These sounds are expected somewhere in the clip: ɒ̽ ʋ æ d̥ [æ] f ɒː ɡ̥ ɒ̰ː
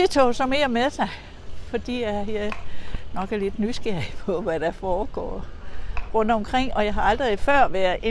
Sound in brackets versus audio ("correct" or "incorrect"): correct